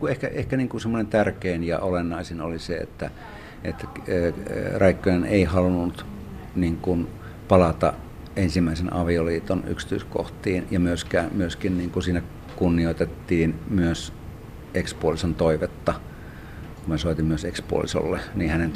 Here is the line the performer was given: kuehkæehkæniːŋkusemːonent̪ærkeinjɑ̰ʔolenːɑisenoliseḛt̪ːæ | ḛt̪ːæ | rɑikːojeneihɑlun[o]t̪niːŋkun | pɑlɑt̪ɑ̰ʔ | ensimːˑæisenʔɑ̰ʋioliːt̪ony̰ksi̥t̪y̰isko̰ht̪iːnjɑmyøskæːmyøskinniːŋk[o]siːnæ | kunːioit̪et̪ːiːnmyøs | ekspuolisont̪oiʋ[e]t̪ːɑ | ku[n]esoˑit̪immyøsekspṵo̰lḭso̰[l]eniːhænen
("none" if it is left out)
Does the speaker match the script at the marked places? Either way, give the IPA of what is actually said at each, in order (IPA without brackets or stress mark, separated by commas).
u, u, e, m, lː